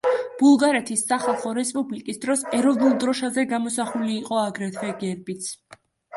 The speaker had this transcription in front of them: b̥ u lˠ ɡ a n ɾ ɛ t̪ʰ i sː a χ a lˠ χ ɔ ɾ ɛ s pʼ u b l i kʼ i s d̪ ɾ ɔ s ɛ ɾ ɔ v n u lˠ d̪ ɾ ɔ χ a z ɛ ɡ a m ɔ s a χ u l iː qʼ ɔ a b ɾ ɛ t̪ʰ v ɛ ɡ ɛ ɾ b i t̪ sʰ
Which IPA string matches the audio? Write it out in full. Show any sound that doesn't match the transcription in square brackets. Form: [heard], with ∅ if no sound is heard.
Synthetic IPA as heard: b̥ u lˠ ɡ a [∅] ɾ ɛ t̪ʰ i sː a χ a lˠ χ ɔ ɾ ɛ s pʼ u b l i kʼ i s d̪ ɾ ɔ s ɛ ɾ ɔ v n u lˠ d̪ ɾ ɔ [ʃ] a z ɛ ɡ a m ɔ s a χ u l iː qʼ ɔ a [ɡ] ɾ ɛ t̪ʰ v ɛ ɡ ɛ ɾ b i t̪ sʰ